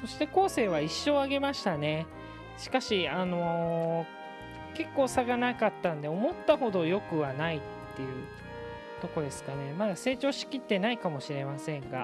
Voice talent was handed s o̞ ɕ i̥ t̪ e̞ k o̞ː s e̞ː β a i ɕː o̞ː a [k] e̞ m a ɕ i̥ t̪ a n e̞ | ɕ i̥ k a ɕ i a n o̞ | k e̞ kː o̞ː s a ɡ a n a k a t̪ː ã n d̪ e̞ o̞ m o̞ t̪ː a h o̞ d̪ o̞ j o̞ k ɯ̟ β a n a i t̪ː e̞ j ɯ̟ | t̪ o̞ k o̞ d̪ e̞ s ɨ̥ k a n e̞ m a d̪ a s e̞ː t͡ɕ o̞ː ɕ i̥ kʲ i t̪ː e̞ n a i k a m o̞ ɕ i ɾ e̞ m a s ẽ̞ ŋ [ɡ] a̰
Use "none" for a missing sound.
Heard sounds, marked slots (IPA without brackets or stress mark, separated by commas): ɡ, ɡ